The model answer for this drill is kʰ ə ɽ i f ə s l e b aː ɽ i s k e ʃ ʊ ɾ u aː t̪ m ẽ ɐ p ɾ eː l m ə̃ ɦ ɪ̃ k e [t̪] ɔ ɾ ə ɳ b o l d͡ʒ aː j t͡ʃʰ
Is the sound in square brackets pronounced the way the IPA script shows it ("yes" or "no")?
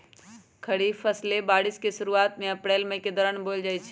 no